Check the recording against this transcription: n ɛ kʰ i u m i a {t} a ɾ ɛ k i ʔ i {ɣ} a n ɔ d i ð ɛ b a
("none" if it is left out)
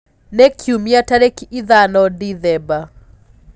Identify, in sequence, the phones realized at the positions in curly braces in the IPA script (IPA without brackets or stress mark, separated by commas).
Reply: t, ð